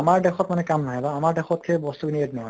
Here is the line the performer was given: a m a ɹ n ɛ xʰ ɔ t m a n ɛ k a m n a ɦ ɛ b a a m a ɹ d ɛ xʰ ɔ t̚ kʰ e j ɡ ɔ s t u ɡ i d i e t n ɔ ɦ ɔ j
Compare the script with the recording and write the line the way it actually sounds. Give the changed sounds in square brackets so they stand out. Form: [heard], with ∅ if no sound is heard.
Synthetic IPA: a m a ɹ [d] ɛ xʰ ɔ t m a n ɛ k a m n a ɦ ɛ b a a m a ɹ d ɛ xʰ ɔ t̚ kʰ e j [b] ɔ s t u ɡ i [n] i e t n ɔ ɦ ɔ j